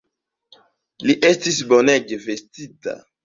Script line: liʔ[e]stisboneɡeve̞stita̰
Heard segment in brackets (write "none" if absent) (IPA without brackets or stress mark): e